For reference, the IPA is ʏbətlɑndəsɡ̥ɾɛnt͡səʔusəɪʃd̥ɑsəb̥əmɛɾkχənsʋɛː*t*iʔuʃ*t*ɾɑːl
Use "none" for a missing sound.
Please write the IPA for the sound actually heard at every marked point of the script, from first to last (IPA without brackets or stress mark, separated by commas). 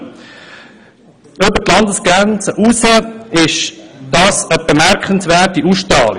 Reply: t, t